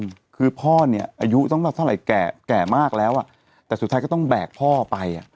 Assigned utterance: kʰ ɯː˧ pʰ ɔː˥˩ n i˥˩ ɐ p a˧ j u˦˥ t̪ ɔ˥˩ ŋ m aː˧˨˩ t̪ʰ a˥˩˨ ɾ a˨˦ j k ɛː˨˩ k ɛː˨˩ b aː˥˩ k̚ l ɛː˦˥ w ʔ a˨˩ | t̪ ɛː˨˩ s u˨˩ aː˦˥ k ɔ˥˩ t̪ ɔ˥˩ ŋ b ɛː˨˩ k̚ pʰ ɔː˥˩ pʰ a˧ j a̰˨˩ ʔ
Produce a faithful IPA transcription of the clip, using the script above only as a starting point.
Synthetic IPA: kʰ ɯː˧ pʰ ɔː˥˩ n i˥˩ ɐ ʔ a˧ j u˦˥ t̪ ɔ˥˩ ŋ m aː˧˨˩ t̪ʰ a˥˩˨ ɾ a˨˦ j k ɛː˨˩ k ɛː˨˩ m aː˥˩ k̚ l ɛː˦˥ w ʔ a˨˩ | t̪ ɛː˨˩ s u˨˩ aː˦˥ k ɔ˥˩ t̪ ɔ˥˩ ŋ b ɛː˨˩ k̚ pʰ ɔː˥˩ p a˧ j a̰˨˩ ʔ